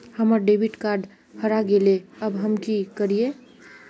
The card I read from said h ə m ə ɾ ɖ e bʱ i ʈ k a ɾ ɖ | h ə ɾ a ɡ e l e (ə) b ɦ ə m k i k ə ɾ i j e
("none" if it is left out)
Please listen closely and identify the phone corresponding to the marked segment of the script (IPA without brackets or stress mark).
ə